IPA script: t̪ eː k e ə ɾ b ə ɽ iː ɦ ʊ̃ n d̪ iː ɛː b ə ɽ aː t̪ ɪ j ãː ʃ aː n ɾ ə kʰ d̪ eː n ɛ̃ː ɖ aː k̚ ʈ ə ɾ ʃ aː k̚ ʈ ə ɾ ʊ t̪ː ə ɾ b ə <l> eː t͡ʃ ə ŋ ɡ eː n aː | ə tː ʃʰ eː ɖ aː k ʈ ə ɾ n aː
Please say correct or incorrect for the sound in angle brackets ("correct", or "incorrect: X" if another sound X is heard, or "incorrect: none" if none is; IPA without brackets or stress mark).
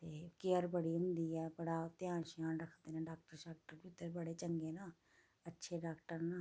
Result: incorrect: ɽ